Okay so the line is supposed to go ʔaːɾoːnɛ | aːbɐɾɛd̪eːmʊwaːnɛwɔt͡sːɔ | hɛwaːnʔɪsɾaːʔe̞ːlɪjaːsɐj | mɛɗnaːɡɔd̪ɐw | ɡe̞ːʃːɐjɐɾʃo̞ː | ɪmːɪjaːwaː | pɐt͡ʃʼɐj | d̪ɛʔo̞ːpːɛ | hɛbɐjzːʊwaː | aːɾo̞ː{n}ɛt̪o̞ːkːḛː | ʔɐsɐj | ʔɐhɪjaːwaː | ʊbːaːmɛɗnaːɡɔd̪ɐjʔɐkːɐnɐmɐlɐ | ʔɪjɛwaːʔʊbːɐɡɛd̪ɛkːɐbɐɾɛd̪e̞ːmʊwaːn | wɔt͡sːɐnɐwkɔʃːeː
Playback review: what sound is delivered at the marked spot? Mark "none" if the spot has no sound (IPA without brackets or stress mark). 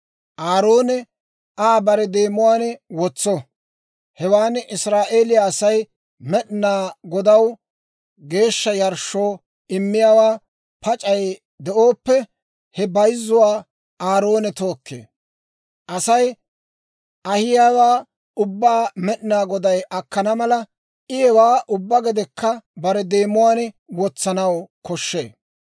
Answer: n